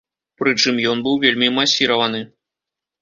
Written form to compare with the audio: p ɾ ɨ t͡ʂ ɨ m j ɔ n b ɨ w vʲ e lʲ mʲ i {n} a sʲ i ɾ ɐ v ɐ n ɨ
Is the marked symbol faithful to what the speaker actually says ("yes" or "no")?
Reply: no